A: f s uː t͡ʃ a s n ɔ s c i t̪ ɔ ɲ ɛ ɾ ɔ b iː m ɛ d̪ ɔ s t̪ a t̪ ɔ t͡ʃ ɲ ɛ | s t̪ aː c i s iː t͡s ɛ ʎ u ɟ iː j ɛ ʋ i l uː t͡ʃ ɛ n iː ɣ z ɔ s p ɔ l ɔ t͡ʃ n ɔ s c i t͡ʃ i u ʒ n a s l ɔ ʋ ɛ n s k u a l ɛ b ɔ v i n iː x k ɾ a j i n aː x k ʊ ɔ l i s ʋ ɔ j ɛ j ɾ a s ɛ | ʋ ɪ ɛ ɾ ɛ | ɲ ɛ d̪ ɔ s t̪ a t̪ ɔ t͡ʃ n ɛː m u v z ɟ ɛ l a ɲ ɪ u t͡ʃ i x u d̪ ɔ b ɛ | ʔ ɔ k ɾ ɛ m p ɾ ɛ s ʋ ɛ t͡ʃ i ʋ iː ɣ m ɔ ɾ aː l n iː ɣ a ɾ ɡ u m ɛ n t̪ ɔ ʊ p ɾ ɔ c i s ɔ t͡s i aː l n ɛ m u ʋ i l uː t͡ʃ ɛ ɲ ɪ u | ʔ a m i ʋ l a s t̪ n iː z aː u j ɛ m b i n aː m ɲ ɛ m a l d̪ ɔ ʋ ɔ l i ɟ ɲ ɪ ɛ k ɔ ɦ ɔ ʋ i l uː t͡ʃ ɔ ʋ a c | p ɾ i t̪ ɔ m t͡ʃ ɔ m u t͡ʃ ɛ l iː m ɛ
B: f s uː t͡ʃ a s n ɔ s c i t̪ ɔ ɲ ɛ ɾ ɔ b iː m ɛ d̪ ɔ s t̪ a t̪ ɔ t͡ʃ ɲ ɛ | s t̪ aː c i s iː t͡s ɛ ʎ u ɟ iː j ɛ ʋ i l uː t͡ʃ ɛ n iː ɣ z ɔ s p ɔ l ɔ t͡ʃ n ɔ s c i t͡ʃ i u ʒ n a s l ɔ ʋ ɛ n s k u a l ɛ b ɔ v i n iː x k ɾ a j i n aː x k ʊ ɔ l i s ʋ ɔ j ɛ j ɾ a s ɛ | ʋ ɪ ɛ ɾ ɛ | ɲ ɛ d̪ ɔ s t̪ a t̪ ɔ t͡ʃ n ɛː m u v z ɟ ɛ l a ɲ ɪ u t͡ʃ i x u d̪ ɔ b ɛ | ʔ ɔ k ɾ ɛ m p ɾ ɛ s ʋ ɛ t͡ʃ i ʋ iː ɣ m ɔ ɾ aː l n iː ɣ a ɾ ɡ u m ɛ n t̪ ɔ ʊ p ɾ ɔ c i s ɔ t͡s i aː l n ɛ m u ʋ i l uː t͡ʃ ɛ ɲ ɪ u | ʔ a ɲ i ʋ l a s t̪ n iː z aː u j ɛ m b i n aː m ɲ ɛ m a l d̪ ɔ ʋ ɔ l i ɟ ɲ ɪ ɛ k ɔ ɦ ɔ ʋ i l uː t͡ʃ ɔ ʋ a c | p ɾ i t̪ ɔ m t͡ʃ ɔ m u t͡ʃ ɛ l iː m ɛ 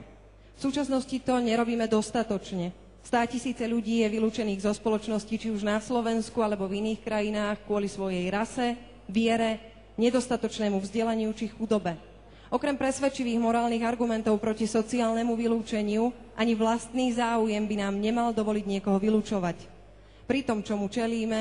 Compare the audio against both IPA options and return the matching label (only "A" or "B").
B